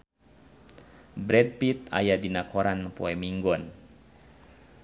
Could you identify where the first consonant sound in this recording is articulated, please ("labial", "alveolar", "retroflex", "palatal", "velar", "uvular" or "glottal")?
labial